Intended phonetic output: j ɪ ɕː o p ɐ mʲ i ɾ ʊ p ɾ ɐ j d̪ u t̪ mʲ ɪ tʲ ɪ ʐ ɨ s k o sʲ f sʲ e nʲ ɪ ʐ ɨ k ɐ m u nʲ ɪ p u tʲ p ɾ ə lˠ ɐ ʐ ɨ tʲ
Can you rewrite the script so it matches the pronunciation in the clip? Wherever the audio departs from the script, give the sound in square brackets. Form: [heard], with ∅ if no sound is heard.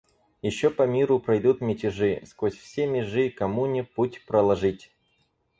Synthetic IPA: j ɪ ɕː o p ɐ mʲ i ɾ ʊ p ɾ ɐ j d̪ u t̪ mʲ ɪ tʲ ɪ ʐ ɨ s k o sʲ f sʲ e [mʲ] ɪ ʐ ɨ k ɐ m u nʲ ɪ p u tʲ p ɾ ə lˠ ɐ ʐ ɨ tʲ